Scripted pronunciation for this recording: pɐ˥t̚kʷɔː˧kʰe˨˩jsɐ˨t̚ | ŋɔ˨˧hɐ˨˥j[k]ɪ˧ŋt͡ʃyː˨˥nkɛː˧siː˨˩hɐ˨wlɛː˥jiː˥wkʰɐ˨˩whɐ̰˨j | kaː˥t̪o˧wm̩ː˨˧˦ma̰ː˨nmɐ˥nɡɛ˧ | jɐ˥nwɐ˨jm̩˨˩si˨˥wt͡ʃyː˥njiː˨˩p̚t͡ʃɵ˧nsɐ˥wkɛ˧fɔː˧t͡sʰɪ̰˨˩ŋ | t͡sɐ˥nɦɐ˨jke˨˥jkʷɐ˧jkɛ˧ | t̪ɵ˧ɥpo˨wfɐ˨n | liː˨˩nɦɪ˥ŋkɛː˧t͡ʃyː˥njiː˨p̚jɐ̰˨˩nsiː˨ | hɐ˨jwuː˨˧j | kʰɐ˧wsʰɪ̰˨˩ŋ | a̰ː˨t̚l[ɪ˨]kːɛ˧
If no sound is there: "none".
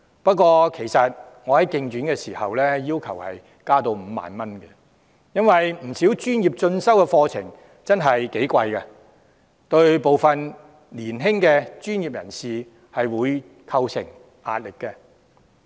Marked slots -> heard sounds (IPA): k, ɪ˨

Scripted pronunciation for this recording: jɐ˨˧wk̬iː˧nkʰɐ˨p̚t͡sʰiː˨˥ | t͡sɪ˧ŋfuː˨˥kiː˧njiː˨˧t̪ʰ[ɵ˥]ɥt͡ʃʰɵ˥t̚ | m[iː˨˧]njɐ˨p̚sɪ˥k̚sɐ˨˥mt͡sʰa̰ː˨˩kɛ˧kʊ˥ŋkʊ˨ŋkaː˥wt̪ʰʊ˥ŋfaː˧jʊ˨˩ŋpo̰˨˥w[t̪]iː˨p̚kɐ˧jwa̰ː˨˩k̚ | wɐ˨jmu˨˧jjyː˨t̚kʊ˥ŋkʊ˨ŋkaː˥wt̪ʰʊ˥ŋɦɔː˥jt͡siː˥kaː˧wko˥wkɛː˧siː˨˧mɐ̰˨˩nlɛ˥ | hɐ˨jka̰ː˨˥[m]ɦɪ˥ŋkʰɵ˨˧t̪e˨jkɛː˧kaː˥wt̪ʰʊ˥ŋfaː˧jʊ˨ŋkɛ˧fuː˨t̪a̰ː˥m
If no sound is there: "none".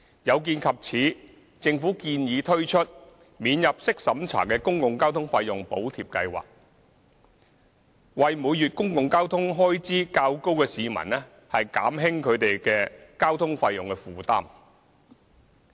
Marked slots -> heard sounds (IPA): ɵ˥, iː˨˧, t̪ʰ, m

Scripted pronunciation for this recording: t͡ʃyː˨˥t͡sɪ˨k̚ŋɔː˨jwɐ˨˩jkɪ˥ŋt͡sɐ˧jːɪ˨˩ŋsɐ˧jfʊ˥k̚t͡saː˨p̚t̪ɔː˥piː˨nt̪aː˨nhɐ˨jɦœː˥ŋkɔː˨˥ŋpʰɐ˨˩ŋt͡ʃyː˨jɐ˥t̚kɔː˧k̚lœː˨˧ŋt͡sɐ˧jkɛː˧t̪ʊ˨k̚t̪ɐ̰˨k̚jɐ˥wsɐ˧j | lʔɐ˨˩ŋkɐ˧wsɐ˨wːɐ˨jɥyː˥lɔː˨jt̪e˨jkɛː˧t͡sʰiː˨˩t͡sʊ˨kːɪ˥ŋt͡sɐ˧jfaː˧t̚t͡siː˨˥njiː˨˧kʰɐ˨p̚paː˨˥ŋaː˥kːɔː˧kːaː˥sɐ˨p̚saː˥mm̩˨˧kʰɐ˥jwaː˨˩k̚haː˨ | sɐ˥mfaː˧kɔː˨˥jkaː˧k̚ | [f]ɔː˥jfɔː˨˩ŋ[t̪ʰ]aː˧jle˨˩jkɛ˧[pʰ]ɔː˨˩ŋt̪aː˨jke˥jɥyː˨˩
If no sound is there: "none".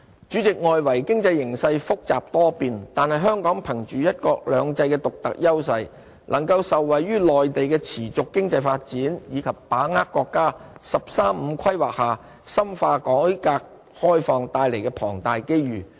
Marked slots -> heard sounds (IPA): h, t̪, pʰ

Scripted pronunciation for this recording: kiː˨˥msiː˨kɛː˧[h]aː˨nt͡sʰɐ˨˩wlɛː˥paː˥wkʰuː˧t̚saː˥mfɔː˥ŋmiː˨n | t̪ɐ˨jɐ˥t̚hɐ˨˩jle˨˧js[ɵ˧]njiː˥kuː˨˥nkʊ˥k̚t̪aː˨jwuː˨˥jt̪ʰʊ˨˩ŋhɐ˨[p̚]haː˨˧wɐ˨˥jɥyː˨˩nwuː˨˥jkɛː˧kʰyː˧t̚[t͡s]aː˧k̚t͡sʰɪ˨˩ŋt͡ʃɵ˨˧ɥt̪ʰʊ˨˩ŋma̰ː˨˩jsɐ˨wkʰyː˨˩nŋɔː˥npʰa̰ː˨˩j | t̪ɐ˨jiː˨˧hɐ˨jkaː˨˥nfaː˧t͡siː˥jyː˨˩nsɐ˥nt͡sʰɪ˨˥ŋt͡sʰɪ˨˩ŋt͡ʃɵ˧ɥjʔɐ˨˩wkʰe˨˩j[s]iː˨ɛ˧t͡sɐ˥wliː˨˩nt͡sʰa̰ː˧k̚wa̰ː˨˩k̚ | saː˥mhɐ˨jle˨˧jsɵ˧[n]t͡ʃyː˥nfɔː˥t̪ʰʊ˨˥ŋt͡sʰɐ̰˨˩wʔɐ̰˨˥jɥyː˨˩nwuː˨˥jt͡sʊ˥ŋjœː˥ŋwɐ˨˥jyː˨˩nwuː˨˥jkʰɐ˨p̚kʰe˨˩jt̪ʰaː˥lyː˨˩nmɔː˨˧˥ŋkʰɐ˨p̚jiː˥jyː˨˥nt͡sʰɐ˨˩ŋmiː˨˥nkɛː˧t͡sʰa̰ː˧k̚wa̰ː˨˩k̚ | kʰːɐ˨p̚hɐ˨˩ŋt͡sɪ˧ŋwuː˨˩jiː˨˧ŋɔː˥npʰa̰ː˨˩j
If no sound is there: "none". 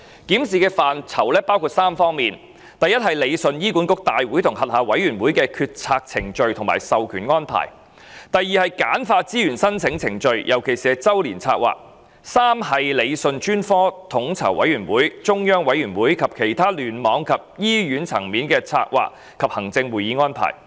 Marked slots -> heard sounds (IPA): f, ɵ˧, t̚, t͡sʰ, s, n

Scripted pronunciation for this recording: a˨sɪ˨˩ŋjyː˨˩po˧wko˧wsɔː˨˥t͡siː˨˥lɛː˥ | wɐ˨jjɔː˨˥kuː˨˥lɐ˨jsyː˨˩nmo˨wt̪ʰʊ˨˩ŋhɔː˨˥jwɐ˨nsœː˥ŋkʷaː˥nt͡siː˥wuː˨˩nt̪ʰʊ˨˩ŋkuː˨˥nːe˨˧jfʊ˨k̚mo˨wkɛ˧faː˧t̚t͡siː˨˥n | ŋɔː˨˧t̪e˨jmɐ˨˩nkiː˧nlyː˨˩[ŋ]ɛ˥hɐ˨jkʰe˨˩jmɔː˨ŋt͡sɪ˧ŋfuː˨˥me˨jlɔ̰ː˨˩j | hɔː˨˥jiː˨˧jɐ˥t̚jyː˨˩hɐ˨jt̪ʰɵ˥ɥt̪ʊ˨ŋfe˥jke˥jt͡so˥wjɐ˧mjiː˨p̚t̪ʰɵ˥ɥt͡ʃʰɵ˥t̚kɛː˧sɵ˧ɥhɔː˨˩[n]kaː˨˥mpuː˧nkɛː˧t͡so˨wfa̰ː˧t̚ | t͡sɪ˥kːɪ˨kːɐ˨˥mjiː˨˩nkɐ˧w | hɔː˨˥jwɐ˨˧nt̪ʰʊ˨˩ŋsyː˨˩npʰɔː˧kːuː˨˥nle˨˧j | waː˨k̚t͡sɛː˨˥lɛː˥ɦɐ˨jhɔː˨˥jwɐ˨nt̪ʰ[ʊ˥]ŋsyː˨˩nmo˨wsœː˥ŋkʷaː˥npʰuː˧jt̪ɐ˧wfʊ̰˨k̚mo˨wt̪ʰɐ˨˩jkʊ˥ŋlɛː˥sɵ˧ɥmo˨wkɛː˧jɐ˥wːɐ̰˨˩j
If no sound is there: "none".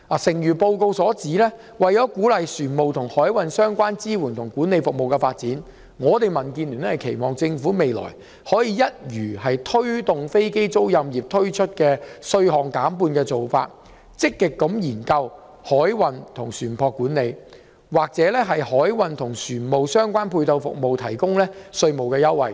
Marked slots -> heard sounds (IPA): n, ŋ, ʊ˨˩

